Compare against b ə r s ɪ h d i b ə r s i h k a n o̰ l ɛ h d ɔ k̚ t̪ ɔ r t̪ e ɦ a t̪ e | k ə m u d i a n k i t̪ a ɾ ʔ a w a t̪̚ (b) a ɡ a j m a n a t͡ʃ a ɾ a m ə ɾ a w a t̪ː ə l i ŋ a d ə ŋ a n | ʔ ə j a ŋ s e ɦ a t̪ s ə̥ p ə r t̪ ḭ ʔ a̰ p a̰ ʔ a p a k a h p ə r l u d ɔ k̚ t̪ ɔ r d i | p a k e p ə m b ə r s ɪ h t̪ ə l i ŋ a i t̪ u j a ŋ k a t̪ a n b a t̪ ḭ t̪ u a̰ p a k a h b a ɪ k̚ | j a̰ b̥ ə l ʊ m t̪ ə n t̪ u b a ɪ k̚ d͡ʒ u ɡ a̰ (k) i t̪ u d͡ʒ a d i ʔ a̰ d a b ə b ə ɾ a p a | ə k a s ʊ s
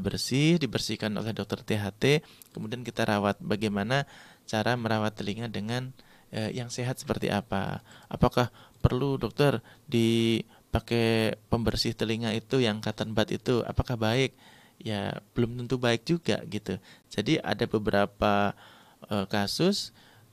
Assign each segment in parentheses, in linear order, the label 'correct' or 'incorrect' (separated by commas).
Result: correct, incorrect